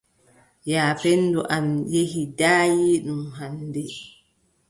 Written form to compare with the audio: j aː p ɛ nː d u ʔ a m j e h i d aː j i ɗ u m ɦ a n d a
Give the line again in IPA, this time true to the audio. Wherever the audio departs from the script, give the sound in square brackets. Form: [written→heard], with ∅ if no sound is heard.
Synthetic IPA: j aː p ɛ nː d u ʔ a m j e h i d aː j i ɗ u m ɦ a n d [a→ɛ]